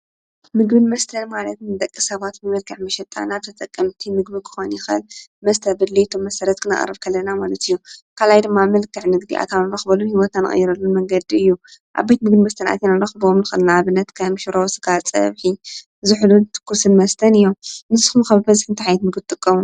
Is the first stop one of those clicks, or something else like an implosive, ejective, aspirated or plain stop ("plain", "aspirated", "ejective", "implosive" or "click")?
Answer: plain